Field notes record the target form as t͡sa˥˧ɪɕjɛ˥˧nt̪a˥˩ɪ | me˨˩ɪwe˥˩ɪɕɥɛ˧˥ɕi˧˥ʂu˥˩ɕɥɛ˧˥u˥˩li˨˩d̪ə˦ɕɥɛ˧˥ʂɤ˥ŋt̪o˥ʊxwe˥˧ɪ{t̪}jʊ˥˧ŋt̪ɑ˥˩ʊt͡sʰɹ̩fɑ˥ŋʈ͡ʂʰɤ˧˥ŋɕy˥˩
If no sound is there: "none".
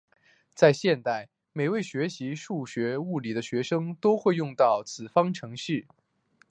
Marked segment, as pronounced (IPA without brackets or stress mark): none